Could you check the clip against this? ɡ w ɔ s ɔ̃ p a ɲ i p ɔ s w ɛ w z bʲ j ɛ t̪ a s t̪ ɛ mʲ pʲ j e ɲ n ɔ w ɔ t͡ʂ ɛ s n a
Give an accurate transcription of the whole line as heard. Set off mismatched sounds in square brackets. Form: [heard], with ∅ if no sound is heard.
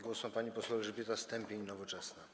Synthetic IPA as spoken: ɡ w ɔ s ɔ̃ p a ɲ i p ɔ s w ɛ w [ʐ] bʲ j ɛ t̪ a s t̪ ɛ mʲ pʲ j e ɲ n ɔ [v] ɔ t͡ʂ ɛ s n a